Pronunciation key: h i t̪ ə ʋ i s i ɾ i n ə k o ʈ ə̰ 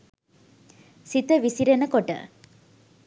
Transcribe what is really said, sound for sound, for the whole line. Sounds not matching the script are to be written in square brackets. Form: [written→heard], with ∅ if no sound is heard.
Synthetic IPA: [h→s] i t̪ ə ʋ i s i ɾ [i→e] n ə k o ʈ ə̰